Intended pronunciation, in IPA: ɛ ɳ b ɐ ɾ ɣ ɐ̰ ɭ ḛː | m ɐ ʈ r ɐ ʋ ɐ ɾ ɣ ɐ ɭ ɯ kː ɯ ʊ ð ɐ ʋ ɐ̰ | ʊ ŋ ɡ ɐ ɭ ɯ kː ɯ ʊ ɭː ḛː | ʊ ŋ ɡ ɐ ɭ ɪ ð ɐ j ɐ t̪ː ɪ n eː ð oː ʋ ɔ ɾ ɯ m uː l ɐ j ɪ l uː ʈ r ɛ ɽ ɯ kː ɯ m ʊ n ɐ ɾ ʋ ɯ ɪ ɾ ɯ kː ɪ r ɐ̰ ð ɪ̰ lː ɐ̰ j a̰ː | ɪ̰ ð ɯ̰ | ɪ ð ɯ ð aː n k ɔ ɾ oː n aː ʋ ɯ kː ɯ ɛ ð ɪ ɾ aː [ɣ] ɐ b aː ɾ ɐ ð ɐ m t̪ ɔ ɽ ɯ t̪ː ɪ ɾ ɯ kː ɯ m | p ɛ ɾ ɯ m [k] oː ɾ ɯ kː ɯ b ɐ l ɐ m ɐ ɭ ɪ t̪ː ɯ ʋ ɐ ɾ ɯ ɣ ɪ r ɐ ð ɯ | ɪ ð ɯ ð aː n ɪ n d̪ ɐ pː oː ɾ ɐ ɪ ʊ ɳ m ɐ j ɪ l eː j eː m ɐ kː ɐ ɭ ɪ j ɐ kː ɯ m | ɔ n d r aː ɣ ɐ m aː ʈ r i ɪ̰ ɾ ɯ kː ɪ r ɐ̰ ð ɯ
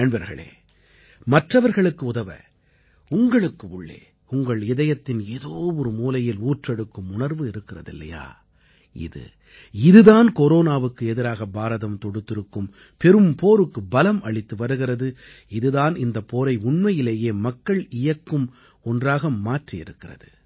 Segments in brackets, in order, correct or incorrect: correct, incorrect: p

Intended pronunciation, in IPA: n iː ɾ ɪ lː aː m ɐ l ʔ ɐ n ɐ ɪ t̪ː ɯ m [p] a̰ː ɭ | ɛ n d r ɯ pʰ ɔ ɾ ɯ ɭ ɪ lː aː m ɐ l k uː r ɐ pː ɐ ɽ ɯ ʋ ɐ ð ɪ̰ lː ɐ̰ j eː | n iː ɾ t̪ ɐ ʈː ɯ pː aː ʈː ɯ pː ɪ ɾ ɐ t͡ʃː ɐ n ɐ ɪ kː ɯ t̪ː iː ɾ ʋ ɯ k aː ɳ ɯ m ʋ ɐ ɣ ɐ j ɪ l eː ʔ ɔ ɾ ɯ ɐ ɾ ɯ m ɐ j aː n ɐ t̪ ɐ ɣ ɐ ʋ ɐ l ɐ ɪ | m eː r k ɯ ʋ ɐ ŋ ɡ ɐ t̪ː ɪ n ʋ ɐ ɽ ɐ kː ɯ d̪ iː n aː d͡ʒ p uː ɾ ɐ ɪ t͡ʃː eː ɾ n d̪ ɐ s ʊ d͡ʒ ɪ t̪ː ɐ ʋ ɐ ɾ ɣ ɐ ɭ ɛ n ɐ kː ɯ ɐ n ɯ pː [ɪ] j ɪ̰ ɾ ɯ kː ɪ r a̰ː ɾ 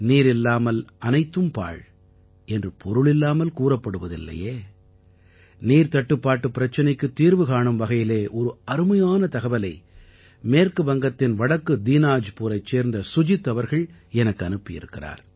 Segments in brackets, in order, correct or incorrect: correct, correct

